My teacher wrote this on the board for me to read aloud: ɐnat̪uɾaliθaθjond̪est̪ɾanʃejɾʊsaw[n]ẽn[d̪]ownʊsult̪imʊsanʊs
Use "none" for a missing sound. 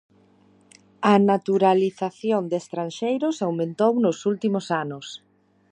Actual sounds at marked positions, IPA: m, t̪

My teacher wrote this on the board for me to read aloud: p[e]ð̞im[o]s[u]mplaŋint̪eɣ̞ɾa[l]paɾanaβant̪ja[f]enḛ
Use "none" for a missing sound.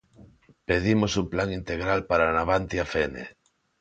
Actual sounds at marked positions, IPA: e, o, u, l, f

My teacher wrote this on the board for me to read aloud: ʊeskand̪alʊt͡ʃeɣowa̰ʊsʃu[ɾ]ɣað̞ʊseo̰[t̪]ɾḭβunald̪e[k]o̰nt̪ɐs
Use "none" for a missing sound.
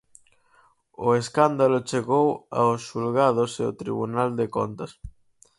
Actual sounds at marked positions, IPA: l, t̪, k

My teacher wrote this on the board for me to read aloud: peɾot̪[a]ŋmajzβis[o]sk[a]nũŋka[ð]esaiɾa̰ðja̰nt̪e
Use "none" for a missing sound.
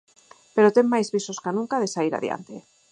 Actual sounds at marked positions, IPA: e, o, a, ð

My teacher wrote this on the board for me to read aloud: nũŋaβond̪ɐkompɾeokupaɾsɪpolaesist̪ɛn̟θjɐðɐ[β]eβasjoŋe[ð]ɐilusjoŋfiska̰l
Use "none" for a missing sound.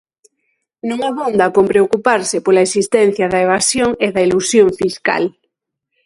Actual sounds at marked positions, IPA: none, ð

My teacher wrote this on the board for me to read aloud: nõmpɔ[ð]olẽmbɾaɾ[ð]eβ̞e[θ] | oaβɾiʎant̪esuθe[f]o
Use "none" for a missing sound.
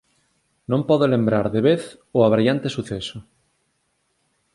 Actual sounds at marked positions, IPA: ð, ð, θ, s

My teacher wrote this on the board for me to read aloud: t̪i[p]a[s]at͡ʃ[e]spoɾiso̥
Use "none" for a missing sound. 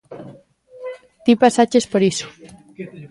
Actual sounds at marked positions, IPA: p, s, e

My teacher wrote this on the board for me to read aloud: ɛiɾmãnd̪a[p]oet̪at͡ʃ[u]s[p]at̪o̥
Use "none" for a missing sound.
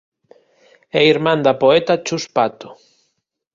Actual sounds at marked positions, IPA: p, u, p

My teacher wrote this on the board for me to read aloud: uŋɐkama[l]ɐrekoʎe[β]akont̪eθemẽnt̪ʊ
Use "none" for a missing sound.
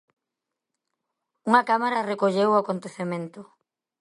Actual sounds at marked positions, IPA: ɾ, w

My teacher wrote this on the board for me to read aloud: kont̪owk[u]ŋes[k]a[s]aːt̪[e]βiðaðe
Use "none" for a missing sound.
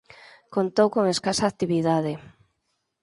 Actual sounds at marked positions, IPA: o, k, s, i

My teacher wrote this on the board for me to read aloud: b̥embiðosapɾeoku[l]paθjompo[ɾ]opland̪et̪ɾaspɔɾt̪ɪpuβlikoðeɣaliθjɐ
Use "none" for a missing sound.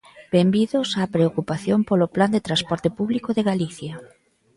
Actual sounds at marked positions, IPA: none, l

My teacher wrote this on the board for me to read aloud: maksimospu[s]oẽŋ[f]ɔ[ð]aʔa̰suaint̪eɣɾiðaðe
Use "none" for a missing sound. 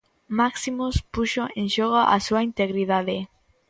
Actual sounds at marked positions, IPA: ʃ, ʃ, ɣ

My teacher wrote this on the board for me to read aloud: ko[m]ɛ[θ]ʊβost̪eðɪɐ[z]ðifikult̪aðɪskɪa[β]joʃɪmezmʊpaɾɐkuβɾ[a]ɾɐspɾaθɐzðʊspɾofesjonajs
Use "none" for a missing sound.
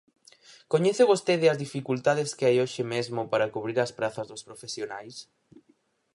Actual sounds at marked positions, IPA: ɲ, θ, z, none, i

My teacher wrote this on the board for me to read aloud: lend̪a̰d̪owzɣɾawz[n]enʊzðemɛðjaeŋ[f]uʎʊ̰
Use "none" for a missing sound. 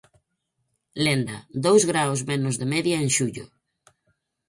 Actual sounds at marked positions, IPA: m, ʃ

